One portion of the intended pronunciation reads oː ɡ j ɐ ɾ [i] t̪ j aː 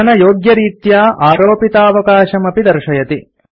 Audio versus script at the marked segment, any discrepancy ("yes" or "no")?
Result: yes